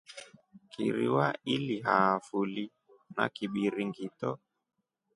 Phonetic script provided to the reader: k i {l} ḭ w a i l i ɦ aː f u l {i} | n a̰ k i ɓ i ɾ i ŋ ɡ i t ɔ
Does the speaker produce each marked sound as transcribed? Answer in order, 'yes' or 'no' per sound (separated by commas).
no, yes